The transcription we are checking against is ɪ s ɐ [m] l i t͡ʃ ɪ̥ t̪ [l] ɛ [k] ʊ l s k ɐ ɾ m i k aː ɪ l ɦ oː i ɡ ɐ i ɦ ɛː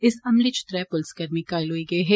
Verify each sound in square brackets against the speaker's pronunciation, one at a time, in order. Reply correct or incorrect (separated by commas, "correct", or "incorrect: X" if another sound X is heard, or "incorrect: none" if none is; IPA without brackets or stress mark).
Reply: correct, incorrect: ɾ, incorrect: p